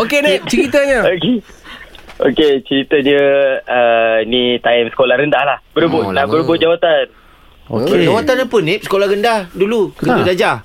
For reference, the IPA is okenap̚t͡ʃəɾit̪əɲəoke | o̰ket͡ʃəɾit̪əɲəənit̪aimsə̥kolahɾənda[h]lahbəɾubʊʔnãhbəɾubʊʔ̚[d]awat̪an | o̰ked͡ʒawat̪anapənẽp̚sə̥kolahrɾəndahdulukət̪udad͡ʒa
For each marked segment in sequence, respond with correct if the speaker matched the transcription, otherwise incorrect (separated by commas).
correct, incorrect